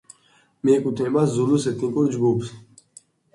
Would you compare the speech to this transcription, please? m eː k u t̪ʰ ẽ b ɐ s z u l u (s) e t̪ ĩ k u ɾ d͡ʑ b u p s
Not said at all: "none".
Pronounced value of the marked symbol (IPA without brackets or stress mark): s